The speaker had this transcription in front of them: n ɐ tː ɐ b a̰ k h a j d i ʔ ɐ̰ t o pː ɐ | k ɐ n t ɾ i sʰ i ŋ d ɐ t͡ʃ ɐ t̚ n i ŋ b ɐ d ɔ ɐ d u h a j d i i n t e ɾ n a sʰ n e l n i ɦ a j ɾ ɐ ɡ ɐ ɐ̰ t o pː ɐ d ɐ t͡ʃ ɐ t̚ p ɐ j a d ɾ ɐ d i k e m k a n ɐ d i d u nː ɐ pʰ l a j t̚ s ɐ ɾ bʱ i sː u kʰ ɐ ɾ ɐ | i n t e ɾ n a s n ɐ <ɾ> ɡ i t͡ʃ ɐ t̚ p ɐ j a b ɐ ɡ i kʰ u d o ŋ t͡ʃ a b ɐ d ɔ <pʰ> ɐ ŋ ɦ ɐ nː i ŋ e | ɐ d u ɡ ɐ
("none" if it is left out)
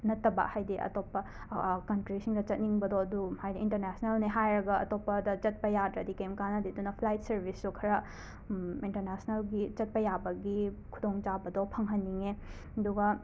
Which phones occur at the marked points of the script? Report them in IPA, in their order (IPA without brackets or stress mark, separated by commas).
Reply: l, pʰ